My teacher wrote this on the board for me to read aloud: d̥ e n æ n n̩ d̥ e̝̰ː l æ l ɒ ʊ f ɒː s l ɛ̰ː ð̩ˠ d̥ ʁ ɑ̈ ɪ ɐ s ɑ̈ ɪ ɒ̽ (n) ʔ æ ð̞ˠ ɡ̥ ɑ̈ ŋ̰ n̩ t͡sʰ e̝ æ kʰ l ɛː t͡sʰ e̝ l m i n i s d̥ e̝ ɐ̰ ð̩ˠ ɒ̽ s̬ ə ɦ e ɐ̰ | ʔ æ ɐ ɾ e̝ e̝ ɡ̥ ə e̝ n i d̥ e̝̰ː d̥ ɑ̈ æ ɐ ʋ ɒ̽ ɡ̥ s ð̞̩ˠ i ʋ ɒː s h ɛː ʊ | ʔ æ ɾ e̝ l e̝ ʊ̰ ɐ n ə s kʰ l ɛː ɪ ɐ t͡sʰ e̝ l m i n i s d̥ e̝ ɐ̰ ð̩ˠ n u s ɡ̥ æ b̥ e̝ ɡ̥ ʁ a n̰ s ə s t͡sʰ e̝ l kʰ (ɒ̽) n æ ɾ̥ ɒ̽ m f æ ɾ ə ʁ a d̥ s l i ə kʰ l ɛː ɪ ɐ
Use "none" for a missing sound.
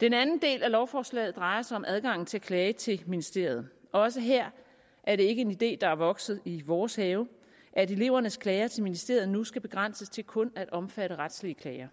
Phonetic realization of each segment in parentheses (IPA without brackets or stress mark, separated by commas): m, ɔ̽